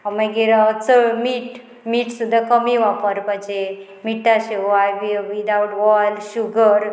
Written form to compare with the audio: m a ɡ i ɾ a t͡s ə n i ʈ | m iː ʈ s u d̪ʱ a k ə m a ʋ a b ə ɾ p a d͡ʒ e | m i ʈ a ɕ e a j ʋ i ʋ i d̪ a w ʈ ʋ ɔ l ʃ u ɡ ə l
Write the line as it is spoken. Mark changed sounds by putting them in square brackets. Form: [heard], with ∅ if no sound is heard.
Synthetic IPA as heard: m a ɡ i ɾ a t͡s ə [m] i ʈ | m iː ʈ s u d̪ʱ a k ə m [i] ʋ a [p] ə ɾ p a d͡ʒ e | m i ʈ a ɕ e a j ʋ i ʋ i d̪ a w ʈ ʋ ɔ l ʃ u ɡ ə [ɾ]